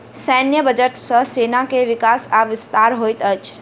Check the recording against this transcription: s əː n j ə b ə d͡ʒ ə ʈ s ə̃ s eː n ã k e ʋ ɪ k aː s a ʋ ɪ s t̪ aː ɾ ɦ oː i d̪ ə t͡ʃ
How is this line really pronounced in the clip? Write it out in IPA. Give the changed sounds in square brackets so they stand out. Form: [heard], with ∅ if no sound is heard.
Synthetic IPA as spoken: s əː n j ə b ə d͡ʒ ə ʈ s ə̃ s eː n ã k e ʋ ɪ k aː s a ʋ ɪ s t̪ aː ɾ ɦ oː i [t̪] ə t͡ʃ